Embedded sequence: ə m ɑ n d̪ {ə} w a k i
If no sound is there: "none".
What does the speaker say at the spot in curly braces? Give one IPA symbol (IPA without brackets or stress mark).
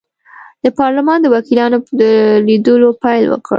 ə